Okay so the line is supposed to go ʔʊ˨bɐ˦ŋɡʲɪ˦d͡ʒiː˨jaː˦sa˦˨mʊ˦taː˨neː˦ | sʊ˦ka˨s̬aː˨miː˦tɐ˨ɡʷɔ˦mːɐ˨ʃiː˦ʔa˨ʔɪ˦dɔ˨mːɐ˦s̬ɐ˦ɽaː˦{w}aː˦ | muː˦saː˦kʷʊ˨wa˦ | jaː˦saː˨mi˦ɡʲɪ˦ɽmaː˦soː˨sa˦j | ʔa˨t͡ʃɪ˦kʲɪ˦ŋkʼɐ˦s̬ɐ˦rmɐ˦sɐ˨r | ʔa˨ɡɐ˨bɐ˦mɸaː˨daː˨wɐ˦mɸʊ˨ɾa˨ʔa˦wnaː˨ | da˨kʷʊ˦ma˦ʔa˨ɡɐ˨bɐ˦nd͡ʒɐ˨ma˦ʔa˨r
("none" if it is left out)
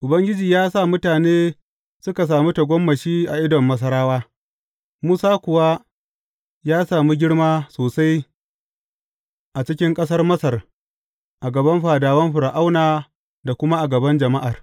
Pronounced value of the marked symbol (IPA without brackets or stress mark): w